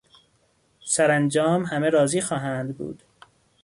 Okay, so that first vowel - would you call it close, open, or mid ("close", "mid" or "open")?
open